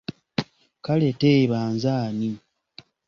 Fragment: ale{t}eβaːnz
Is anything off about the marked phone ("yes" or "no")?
no